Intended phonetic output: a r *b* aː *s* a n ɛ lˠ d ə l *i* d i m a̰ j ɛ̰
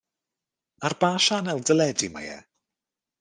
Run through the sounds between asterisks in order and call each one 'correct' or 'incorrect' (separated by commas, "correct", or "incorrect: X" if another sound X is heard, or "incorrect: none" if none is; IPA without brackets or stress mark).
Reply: correct, incorrect: ʃ, incorrect: ɛ